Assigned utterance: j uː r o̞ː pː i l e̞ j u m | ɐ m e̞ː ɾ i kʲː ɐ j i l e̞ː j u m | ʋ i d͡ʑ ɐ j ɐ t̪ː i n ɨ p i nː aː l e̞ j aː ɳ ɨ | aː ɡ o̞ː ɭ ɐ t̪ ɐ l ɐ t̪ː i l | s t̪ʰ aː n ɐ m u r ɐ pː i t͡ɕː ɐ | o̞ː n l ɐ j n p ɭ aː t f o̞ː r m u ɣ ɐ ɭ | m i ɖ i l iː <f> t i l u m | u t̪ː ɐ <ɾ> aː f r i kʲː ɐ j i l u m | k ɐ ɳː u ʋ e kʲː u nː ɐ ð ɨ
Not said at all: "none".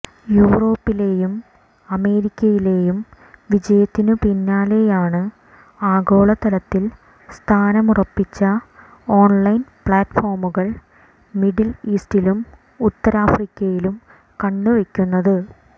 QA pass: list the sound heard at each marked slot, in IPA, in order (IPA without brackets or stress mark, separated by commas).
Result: s, ɾ